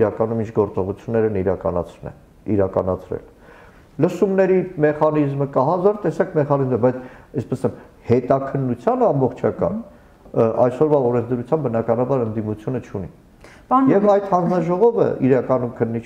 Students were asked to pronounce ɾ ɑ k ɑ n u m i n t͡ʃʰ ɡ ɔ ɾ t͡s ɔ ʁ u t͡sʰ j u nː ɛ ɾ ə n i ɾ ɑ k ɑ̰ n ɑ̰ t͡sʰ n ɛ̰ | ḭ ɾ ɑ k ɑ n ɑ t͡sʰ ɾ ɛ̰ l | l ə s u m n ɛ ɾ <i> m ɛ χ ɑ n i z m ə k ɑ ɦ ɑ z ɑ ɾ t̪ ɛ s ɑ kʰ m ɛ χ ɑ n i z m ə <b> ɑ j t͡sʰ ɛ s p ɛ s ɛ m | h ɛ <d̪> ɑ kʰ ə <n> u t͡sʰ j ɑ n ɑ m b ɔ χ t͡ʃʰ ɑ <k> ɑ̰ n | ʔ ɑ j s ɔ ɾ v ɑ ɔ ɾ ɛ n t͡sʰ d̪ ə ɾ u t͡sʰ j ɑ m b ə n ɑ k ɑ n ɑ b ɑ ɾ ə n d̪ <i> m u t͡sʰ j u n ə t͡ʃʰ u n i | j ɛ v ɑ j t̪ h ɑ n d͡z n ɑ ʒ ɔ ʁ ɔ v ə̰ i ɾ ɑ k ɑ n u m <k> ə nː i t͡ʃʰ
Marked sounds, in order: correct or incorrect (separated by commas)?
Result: correct, correct, incorrect, incorrect, correct, correct, incorrect